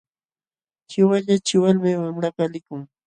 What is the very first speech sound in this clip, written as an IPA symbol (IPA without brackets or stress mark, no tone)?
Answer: t͡ʃ